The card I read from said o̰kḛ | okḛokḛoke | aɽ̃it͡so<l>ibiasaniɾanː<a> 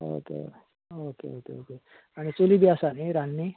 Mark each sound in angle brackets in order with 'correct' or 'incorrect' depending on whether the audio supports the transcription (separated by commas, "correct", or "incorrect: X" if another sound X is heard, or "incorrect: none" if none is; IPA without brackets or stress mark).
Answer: correct, incorrect: i